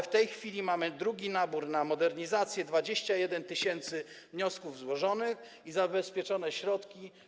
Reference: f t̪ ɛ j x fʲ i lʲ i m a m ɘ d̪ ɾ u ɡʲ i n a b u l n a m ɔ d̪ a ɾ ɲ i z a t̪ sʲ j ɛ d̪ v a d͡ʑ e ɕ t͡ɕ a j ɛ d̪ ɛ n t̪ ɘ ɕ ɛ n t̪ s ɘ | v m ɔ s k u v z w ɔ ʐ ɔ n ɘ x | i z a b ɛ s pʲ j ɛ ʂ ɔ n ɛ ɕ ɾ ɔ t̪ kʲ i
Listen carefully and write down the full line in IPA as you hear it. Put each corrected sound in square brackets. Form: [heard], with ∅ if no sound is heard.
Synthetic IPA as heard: f t̪ ɛ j x fʲ i lʲ i m a m ɘ d̪ ɾ u ɡʲ i n a b u [ɾ] n a m ɔ d̪ [ɛ] ɾ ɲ i z a t̪ sʲ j ɛ d̪ v a d͡ʑ e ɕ t͡ɕ a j ɛ d̪ ɛ n t̪ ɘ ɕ ɛ n t̪ s ɘ | v [ɲ] ɔ s k u v z w ɔ ʐ ɔ n ɘ x | i z a b ɛ s pʲ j ɛ [t͡ʂ] ɔ n ɛ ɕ ɾ ɔ t̪ kʲ i